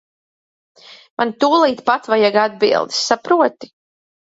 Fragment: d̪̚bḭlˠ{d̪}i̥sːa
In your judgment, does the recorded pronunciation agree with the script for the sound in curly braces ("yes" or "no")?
yes